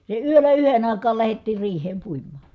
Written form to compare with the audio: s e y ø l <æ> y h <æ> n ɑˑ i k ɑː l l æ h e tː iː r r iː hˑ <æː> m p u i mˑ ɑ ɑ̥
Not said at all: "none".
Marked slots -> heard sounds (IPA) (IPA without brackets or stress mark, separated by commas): æ, e, eː